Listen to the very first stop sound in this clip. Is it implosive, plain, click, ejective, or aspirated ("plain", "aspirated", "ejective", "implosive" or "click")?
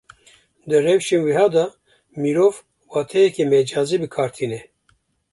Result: plain